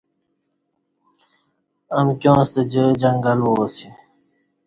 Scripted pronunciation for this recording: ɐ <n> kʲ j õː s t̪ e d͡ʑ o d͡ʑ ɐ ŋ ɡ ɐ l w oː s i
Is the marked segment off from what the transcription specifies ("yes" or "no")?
yes